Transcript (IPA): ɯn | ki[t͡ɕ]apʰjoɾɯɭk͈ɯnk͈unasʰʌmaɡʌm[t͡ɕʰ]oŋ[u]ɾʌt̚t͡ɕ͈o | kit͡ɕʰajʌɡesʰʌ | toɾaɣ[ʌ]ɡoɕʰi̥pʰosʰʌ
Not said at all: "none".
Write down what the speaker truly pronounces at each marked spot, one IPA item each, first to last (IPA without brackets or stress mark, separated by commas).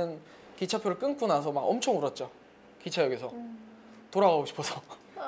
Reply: t͡ɕʰ, t͡ɕʰ, u, a